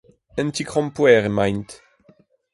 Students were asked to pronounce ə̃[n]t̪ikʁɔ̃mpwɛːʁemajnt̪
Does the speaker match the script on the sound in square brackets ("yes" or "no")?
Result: yes